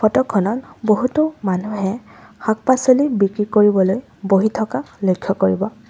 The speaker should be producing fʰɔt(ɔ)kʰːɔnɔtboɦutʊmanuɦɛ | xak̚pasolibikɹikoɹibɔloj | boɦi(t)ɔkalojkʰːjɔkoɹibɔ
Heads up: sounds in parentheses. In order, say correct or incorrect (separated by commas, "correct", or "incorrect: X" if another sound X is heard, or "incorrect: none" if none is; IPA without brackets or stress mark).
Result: correct, incorrect: tʰ